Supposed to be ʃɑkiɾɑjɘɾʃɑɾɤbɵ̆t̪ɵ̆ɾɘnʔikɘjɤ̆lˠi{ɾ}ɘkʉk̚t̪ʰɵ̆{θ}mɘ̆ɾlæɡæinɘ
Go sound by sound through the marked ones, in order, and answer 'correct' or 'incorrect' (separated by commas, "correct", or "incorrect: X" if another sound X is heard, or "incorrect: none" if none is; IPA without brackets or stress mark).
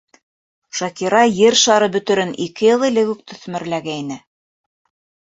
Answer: incorrect: l, correct